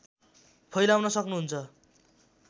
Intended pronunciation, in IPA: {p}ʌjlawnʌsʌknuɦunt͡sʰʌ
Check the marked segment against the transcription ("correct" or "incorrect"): incorrect